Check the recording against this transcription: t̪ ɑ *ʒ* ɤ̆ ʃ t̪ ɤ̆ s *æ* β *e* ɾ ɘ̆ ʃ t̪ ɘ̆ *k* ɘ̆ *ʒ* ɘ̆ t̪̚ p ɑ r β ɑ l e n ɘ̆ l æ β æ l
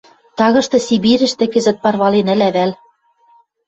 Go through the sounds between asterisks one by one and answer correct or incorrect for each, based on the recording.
incorrect: ɣ, incorrect: i, incorrect: i, correct, incorrect: z

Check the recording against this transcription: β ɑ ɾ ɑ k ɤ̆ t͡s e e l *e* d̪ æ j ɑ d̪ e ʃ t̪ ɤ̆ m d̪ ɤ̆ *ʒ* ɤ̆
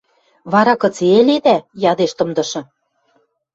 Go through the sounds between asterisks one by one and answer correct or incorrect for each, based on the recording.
correct, incorrect: ʃ

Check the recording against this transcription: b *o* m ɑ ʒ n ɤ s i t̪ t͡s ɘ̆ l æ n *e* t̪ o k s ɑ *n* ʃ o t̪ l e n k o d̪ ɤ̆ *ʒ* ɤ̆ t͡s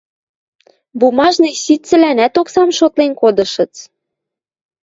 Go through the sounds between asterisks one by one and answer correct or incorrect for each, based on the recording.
incorrect: u, incorrect: æ, incorrect: m, incorrect: ʃ

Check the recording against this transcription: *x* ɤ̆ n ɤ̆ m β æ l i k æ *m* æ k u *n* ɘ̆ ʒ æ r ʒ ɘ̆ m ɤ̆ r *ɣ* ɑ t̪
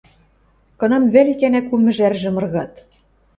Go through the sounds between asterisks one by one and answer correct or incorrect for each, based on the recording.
incorrect: k, incorrect: n, incorrect: m, correct

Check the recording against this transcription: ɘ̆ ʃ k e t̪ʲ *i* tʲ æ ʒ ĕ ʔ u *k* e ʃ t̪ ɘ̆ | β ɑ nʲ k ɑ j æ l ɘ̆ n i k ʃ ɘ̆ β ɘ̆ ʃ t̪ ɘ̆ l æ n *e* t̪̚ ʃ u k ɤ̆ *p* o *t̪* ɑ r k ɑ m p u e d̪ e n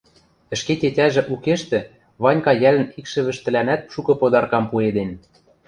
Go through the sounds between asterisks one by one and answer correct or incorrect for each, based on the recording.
incorrect: e, correct, incorrect: æ, correct, incorrect: d̪

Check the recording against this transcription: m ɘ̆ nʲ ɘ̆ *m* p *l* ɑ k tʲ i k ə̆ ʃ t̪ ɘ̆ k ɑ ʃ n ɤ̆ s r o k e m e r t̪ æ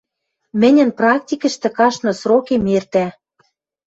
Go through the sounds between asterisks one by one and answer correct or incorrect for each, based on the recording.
incorrect: n, incorrect: r

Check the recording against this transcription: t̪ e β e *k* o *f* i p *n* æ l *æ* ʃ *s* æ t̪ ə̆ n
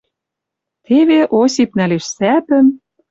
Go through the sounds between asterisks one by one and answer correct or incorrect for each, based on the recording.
incorrect: ʔ, incorrect: s, correct, incorrect: e, correct

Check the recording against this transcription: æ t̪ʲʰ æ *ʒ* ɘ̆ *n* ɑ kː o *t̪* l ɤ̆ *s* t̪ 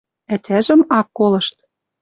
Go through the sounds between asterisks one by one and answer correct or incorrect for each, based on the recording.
correct, incorrect: m, incorrect: none, incorrect: ʃ

